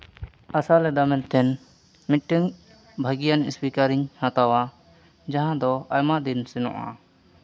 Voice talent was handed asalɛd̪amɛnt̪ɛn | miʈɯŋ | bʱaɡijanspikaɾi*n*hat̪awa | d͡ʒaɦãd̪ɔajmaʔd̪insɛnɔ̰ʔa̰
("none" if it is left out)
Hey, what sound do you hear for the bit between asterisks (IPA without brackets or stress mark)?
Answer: ɲ